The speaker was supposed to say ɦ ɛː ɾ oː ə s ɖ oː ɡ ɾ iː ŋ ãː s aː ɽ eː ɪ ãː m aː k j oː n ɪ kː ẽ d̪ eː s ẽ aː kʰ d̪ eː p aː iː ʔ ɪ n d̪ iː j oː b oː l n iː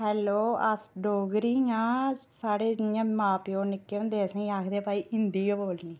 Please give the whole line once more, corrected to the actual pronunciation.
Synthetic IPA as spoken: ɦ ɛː l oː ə s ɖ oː ɡ ɾ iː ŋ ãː s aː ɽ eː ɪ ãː m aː p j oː n ɪ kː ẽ d̪ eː s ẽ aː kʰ d̪ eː p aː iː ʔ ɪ n d̪ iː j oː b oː l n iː